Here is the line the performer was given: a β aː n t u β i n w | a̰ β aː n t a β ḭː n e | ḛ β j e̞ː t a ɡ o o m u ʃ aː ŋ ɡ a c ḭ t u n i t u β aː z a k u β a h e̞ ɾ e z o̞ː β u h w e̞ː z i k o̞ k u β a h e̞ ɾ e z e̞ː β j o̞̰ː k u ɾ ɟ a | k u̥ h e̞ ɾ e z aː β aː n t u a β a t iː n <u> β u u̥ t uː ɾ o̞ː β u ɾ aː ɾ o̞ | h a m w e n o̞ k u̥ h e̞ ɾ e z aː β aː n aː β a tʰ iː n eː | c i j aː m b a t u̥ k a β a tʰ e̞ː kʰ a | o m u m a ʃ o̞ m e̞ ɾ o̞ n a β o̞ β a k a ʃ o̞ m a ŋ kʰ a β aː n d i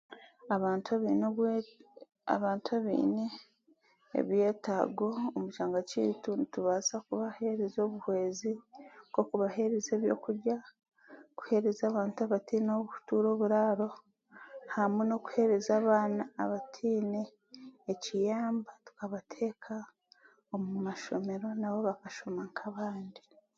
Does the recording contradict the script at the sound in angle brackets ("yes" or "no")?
yes